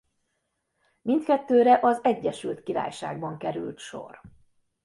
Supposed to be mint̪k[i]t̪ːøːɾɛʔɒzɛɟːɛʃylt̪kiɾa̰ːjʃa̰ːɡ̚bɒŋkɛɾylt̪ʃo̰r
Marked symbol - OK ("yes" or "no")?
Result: no